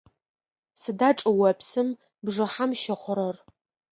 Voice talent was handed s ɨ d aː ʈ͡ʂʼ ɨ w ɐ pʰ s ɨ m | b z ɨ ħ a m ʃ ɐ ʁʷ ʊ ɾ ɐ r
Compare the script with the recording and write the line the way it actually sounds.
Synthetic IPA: s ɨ d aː ʈ͡ʂʼ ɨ w ɐ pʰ s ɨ m | b ʐ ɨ ħ a m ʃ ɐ χʷ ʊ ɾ ɐ r